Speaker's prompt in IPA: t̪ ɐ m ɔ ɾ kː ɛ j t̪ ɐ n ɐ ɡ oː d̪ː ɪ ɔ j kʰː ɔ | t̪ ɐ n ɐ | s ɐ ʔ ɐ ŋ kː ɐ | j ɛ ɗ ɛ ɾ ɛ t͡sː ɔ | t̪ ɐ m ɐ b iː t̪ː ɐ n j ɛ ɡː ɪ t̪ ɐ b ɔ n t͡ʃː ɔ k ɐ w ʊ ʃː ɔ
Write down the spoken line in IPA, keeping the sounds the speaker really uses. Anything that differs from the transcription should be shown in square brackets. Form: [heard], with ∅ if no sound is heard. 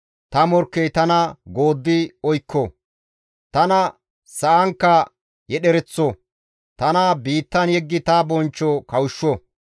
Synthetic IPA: t̪ ɐ m ɔ ɾ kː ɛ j t̪ ɐ n ɐ ɡ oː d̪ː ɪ ɔ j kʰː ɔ | t̪ ɐ n ɐ | s ɐ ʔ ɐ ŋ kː ɐ | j ɛ ɗ ɛ ɾ ɛ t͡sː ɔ | t̪ ɐ [n] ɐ b iː t̪ː ɐ n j ɛ ɡː ɪ t̪ ɐ b ɔ n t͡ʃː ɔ k ɐ w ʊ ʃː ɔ